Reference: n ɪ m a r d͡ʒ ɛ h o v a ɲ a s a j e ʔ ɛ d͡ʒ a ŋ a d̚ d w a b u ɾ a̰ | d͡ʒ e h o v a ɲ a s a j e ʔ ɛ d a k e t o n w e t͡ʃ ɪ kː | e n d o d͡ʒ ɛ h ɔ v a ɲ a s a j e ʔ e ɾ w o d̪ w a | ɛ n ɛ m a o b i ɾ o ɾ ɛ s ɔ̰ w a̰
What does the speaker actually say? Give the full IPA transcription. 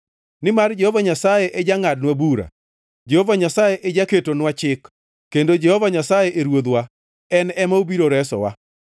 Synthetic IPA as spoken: n ɪ m a r d͡ʒ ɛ h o v a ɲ a s a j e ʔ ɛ d͡ʒ a ŋ a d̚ n w a b u ɾ a̰ | d͡ʒ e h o v a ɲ a s a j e ʔ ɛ d͡ʒ a k e t o n w a t͡ʃ ɪ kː | e n d o d͡ʒ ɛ h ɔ v a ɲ a s a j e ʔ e ɾ w o d̪ w a | ɛ n ɛ m a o b i ɾ o ɾ ɛ s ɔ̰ w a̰